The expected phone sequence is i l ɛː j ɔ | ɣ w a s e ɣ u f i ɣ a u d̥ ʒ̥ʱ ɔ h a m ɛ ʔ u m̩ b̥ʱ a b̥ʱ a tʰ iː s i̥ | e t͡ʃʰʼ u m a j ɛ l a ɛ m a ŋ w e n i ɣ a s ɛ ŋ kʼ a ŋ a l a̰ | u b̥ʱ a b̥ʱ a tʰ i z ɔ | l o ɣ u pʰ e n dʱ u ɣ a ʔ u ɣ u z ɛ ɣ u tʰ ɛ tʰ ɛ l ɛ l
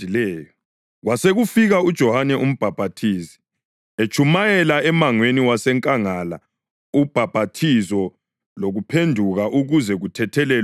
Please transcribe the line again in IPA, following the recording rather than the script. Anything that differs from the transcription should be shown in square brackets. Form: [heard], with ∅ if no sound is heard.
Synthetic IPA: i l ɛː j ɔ | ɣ w a s e ɣ u f i ɣ a u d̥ ʒ̥ʱ ɔ h a [n] ɛ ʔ u m̩ b̥ʱ a b̥ʱ a tʰ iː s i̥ | e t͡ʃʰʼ u m a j ɛ l a ɛ m a ŋ w e n i [w] a s ɛ ŋ kʼ a ŋ a l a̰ | u b̥ʱ a b̥ʱ a tʰ i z ɔ | l o ɣ u pʰ e n dʱ u ɣ a ʔ u ɣ u z ɛ ɣ u tʰ ɛ tʰ ɛ l ɛ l